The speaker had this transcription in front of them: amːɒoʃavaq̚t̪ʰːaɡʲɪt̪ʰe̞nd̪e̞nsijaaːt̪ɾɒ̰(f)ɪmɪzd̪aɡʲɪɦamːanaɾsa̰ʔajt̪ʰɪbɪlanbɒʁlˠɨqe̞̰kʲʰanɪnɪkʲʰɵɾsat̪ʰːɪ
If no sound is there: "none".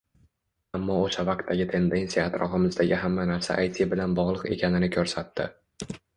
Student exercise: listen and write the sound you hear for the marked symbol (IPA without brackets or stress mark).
f